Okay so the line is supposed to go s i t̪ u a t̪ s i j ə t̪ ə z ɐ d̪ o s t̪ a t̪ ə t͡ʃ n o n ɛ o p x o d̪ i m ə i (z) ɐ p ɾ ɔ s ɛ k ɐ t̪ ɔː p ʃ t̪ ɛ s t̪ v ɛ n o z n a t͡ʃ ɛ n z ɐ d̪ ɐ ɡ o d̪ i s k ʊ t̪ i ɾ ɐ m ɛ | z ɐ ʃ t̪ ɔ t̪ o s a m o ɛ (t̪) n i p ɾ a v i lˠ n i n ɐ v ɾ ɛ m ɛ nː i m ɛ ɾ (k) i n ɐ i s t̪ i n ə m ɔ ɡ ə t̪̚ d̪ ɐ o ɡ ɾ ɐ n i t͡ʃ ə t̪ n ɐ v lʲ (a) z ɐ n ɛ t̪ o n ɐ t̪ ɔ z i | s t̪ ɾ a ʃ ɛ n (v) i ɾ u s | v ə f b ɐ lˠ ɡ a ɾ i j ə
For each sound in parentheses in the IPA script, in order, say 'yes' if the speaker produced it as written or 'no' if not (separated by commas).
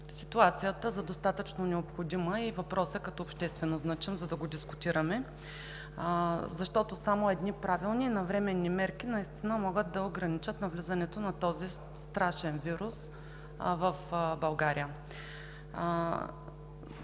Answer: no, no, yes, no, yes